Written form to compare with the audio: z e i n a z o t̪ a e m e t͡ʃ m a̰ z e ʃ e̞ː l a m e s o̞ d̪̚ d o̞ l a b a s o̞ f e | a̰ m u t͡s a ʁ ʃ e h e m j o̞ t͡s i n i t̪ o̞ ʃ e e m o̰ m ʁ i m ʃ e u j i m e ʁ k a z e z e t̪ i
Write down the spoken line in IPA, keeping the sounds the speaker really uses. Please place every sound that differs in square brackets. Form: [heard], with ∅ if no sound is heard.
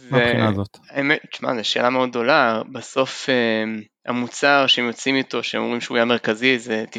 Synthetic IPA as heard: z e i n a z o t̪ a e m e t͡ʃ m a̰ z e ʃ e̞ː l a m e [∅] o̞ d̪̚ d o̞ l a b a s o̞ f e | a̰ m u t͡s a ʁ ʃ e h e m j o̞ t͡s i [m] i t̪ o̞ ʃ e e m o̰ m ʁ i m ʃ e u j [a] m e ʁ k a z [i] z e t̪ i